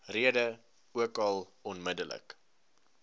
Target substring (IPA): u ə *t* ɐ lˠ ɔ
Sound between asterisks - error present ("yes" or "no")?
yes